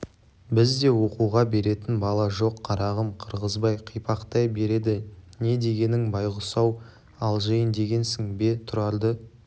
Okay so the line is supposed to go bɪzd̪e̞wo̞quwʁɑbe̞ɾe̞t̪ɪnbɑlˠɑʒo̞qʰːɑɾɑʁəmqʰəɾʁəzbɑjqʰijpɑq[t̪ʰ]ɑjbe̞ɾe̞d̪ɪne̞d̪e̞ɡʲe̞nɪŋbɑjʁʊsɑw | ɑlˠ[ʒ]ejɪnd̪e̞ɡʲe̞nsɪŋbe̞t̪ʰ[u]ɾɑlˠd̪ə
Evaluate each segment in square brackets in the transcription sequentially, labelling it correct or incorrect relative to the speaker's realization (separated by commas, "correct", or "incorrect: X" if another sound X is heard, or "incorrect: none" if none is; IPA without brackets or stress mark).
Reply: incorrect: t̪, correct, incorrect: ʊ